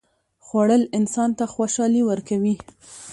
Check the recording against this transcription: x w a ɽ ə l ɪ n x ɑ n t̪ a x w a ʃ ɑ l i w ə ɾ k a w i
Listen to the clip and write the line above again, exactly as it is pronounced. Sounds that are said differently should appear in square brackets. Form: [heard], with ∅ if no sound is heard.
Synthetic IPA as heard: x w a ɽ ə l ɪ n [s] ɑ n t̪ a x w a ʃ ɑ l i w ə ɾ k a w i